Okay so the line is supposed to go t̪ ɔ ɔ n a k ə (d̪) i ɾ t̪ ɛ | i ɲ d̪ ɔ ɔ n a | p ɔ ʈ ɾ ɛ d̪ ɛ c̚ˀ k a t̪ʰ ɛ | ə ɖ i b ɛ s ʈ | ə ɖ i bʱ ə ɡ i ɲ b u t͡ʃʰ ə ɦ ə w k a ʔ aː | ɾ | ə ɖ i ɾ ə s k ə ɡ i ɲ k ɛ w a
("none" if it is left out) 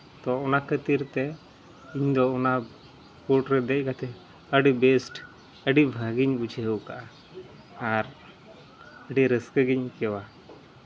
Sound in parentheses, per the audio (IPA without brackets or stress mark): t̪